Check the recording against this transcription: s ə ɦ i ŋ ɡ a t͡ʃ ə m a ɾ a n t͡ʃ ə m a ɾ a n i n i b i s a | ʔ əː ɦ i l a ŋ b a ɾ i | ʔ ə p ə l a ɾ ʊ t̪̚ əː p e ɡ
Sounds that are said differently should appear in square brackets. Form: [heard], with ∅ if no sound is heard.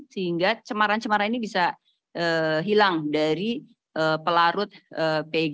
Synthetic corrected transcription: s ə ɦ i ŋ ɡ a t͡ʃ ə m a ɾ a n t͡ʃ ə m a ɾ a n i n i b i s a | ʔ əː ɦ i l a ŋ [d] a ɾ i | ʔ ə p ə l a ɾ ʊ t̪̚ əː p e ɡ